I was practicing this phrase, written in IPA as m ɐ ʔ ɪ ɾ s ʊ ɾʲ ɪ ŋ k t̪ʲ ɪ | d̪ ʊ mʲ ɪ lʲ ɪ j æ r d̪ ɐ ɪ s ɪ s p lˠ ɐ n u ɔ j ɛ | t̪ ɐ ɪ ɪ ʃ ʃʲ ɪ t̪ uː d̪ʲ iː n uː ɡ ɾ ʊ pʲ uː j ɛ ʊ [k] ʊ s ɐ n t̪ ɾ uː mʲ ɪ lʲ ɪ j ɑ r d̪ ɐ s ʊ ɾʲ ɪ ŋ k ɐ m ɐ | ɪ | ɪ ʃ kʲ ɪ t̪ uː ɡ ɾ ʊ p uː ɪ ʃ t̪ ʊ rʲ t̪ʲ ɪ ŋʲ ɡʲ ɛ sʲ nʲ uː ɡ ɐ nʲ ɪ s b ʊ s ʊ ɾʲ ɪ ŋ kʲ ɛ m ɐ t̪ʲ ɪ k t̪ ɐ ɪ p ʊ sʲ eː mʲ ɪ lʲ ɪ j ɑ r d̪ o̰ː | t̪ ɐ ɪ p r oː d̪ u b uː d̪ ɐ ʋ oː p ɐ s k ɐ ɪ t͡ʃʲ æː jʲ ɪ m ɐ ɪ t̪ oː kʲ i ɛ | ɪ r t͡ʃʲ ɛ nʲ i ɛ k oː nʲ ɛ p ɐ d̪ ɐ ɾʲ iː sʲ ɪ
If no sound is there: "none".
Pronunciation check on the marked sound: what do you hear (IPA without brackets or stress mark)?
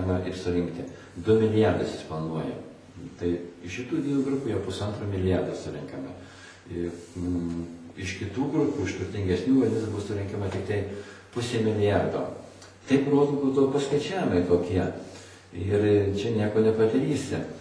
p